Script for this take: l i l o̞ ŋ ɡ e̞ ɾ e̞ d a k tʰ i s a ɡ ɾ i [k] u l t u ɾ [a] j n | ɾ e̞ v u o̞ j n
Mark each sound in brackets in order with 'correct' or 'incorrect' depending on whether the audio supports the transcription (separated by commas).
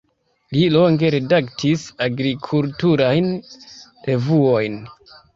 incorrect, correct